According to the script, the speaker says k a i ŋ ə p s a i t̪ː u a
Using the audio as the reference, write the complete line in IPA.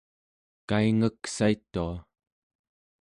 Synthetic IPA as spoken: k a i ŋ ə k s a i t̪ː u a